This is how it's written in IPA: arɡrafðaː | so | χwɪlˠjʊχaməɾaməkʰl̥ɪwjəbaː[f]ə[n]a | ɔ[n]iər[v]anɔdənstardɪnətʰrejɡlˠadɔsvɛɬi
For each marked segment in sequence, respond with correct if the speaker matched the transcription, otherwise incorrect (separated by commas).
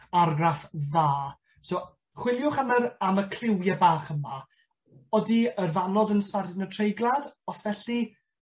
incorrect, incorrect, incorrect, correct